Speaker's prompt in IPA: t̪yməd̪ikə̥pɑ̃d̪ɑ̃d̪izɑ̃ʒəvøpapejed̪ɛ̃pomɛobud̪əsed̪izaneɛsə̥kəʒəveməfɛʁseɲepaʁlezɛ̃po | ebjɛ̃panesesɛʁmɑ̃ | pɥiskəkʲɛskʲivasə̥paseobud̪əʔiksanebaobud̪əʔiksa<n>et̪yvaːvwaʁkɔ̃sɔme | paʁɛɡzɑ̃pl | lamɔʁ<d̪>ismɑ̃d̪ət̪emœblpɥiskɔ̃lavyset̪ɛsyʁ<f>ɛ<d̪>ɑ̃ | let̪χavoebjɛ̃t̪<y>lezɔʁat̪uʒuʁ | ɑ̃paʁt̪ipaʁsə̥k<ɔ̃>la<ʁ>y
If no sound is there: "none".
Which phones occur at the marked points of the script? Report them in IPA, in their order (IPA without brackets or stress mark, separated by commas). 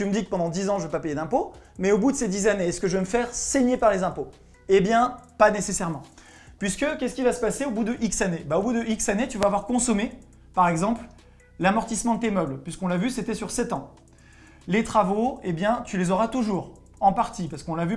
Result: n, t̪, s, t̪, y, ɔ̃, v